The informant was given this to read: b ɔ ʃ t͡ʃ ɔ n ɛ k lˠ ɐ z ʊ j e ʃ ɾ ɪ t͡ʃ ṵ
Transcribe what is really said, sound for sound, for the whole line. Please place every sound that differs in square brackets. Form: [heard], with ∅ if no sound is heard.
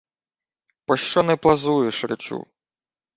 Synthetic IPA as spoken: [p] ɔ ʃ t͡ʃ ɔ n ɛ [p] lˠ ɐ z [u] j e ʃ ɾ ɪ t͡ʃ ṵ